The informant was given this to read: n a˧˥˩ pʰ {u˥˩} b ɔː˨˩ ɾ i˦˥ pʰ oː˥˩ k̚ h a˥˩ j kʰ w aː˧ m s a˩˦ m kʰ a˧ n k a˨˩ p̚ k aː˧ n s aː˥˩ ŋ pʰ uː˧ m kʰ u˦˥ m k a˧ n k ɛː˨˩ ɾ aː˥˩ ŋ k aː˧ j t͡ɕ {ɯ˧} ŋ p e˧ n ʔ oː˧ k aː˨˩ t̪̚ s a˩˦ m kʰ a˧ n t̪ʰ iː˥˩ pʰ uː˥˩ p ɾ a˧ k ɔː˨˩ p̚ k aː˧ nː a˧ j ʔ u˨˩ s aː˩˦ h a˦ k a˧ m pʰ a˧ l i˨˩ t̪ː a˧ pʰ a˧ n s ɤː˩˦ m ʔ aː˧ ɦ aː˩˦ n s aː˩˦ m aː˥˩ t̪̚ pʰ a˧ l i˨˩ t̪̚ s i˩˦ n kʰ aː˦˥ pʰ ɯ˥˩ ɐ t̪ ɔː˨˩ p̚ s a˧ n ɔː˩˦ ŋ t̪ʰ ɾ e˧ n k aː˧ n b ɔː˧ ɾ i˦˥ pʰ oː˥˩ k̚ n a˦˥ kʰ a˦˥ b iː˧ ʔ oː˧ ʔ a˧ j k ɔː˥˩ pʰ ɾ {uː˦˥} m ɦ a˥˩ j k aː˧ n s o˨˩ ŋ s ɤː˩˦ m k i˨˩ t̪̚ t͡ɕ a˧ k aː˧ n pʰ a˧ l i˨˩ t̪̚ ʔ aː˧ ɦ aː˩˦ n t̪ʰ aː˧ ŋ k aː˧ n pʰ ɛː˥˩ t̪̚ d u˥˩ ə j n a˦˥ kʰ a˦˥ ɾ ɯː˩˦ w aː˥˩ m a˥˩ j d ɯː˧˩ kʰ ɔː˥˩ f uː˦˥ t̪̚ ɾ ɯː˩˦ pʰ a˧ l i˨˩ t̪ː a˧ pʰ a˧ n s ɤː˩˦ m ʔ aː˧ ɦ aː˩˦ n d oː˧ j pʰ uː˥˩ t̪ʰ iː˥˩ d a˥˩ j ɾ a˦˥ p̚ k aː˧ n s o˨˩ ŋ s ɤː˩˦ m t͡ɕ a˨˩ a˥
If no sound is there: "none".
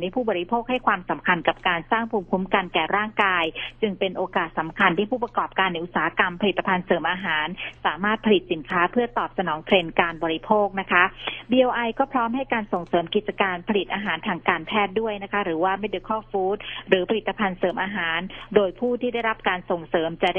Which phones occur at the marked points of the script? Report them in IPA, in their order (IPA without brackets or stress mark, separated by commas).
uː˥˩, ɯ˧, ɔː˦˥